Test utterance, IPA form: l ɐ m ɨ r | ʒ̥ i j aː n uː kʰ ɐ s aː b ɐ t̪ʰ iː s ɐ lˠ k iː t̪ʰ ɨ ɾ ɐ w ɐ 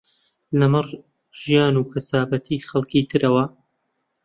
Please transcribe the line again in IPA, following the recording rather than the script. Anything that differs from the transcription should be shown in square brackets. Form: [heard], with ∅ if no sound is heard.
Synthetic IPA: l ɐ m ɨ r | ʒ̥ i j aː n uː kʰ ɐ s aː b ɐ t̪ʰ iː [x] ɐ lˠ k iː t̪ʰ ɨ ɾ ɐ w ɐ